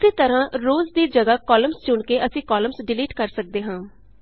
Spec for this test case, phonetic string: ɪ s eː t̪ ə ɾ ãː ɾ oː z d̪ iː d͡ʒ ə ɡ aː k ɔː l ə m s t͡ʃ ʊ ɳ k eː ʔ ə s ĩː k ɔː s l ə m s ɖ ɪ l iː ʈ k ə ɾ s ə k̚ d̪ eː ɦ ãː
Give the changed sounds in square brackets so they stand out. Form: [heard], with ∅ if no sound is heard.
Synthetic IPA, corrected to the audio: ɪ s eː t̪ ə ɾ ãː ɾ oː z d̪ iː d͡ʒ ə ɡ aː k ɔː l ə m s t͡ʃ ʊ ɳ k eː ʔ ə s ĩː k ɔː [∅] l ə m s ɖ ɪ l iː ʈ k ə ɾ s ə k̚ d̪ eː ɦ ãː